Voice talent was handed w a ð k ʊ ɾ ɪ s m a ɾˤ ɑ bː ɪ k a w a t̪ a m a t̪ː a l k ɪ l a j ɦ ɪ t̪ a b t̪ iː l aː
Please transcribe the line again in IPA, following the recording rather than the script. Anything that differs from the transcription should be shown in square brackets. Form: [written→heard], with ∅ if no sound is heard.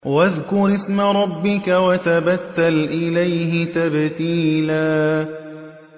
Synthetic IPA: w a ð k ʊ ɾ ɪ s m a ɾˤ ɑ bː ɪ k a w a t̪ a [m→b] a t̪ː a l [k→ʔ] ɪ l a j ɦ ɪ t̪ a b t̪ iː l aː